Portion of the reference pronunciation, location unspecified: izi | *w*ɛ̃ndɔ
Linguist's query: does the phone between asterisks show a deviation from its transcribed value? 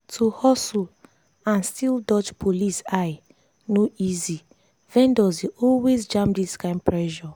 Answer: yes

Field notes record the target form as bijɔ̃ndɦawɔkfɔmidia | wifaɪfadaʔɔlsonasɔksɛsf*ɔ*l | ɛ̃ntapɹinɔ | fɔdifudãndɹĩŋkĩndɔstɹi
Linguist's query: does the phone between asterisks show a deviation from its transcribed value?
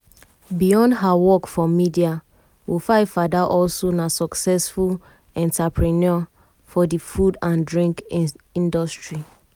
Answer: yes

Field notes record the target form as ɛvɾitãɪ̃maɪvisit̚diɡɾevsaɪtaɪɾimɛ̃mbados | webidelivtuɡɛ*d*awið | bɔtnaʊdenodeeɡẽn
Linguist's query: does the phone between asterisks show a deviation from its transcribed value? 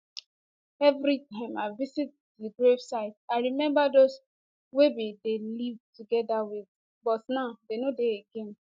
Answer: no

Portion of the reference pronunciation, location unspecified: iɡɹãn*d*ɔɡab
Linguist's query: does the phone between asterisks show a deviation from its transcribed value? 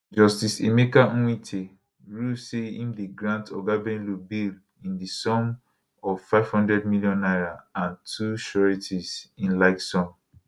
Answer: yes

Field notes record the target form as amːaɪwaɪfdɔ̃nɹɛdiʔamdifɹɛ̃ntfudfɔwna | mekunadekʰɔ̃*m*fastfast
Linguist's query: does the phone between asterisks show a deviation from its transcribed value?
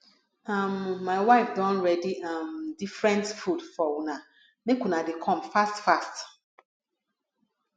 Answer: no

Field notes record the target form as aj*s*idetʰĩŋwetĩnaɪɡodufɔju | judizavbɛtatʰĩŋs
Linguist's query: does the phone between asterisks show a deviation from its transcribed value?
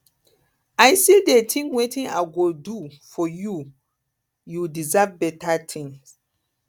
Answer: no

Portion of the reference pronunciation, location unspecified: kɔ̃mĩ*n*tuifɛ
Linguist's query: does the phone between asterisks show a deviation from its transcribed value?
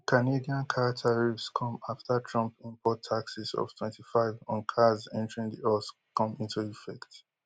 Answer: no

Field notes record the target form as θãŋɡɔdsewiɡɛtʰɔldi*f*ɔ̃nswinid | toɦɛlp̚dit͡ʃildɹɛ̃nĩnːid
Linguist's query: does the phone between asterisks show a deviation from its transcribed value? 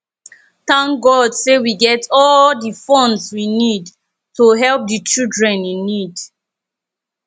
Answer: no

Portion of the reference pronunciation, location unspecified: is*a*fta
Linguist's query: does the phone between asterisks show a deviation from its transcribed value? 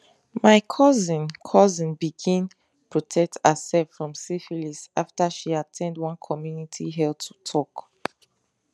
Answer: no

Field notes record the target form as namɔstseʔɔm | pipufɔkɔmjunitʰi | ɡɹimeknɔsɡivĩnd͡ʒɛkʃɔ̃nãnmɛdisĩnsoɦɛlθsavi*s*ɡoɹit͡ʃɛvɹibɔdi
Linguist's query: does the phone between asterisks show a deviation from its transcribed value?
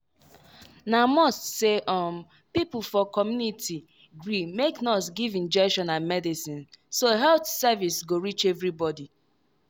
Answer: no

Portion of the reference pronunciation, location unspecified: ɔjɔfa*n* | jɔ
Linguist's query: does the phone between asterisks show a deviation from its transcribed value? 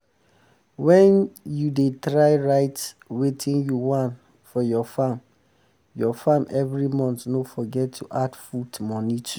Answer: yes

